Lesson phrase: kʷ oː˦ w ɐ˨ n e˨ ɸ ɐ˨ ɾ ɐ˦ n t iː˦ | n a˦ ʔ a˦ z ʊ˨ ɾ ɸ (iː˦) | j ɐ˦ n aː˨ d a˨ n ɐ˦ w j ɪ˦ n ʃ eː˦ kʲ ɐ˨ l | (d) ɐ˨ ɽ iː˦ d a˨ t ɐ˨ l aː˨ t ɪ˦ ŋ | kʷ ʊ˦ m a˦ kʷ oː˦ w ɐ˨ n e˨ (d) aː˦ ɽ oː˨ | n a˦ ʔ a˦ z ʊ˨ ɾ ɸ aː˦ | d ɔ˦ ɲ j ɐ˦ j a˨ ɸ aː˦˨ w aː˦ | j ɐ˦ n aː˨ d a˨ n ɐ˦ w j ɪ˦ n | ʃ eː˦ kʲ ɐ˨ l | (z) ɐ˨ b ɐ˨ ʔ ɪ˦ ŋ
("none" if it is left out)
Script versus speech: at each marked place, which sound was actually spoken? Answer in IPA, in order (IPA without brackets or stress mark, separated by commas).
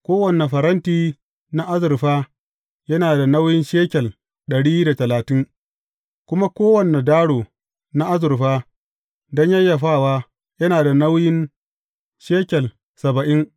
aː˦, ɗ, d, s